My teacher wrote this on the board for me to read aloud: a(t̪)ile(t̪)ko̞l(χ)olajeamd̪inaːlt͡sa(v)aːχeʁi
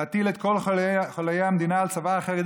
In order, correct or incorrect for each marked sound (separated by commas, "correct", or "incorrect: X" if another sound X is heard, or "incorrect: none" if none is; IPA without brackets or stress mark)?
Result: correct, correct, correct, correct